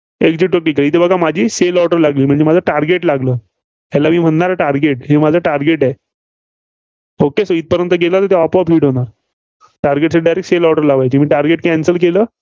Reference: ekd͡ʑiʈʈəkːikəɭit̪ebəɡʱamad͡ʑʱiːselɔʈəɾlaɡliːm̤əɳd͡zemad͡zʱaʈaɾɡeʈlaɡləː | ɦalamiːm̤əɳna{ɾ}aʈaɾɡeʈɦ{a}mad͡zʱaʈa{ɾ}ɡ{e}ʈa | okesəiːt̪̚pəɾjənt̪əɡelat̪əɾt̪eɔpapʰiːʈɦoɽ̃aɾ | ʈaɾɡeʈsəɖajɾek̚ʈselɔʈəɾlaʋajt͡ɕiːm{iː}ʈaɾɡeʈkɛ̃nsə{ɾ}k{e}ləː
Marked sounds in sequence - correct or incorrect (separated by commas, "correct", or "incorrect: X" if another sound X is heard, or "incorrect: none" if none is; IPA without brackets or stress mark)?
correct, incorrect: e, correct, correct, correct, incorrect: l, correct